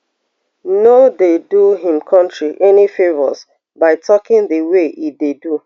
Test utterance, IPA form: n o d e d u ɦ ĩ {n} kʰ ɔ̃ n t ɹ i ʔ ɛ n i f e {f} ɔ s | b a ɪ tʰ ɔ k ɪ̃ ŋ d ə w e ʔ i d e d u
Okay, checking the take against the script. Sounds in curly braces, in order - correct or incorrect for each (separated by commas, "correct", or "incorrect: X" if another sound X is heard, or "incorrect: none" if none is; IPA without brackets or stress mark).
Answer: incorrect: m, incorrect: v